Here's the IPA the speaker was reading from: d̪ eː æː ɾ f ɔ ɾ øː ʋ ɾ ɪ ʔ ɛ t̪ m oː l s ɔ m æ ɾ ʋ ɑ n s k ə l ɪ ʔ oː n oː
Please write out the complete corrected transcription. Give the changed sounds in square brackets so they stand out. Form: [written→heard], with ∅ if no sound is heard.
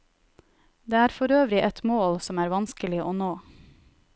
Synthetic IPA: d̪ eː æː ɾ f ɔ ɾ øː ʋ ɾ ɪ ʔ ɛ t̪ m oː l s ɔ m [æ→æː] ɾ ʋ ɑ n s k ə l ɪ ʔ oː n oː